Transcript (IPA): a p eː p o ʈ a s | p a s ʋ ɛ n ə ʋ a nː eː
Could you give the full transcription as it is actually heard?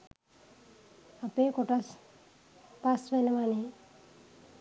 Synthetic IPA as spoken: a p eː k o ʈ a s | p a s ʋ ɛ n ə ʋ a n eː